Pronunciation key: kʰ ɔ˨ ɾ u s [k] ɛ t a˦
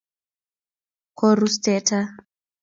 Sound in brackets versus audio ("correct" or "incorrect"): incorrect